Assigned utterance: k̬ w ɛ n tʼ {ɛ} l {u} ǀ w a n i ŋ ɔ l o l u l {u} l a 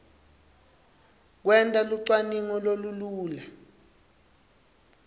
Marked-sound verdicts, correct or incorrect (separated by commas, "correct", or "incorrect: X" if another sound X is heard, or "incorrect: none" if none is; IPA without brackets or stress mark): incorrect: a, correct, incorrect: uː